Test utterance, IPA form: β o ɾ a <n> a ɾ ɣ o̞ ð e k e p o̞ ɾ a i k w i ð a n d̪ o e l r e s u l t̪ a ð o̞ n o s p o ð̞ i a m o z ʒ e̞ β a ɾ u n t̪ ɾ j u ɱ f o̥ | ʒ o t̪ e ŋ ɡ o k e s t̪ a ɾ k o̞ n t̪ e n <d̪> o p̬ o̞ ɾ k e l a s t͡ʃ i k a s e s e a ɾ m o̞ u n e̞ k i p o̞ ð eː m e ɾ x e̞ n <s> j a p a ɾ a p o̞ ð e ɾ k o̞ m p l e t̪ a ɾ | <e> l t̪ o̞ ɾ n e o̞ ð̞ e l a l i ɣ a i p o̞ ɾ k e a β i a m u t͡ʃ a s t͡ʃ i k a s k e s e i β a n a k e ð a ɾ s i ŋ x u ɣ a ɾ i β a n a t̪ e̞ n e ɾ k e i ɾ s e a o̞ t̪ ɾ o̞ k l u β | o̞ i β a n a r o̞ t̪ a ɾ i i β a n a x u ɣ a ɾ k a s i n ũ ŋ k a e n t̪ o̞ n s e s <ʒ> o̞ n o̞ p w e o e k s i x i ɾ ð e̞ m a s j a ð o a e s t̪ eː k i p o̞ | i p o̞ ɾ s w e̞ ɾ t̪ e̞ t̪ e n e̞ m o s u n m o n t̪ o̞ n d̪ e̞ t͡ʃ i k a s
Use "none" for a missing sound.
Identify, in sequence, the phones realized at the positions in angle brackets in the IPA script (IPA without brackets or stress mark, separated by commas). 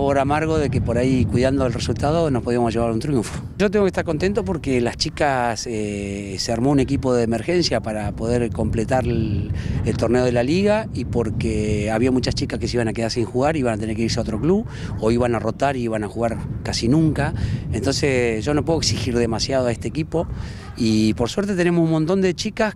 m, t̪, s, e, ʒ